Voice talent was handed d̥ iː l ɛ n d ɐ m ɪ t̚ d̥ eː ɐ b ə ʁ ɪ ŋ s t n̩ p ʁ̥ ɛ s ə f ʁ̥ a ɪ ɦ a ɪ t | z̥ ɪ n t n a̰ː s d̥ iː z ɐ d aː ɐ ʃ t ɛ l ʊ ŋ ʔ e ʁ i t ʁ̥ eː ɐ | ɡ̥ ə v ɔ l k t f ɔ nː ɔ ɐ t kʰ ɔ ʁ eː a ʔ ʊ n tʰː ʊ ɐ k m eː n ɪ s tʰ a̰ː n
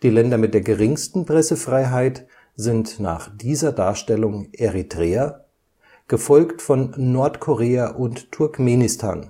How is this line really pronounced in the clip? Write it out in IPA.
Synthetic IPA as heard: d̥ iː l ɛ n d ɐ m ɪ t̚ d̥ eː ɐ ɡ ə ʁ ɪ ŋ s t n̩ p ʁ̥ ɛ s ə f ʁ̥ a ɪ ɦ a ɪ t | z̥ ɪ n t n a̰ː χ d̥ iː z ɐ d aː ɐ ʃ t ɛ l ʊ ŋ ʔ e ʁ i t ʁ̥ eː ɐ | ɡ̥ ə f ɔ l k t f ɔ nː ɔ ɐ t kʰ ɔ ʁ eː a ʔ ʊ n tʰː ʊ ɐ k m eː n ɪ s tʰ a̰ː n